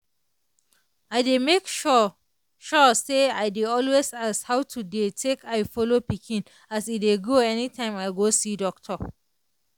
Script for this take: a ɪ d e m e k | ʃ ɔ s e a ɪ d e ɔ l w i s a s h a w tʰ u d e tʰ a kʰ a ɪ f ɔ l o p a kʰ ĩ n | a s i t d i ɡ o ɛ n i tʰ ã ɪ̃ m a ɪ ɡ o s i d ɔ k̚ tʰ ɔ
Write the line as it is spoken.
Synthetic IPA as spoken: a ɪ d e m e k | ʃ ɔ s e a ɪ d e ɔ l w e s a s h a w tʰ u d e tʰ e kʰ a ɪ f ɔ l o p i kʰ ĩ n | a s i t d e ɡ o ɛ n i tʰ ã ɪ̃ m a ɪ ɡ o s i d ɔ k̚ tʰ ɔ